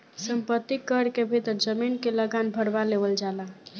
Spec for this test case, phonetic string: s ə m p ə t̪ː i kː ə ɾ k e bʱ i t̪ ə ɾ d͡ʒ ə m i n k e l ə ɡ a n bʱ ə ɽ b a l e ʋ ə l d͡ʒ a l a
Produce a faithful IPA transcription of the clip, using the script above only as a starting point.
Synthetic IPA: s ə m p ə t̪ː i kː ə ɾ k e bʱ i t̪ ə ɾ d͡ʒ ə m i n k e l ə ɡ a n bʱ ə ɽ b a l e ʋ ə l d͡ʒ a l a

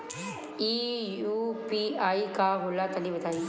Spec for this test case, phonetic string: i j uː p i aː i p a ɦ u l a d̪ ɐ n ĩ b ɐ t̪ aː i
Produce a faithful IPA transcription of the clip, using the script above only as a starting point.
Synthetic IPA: i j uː p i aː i k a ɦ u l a t̪ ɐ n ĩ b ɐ t̪ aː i

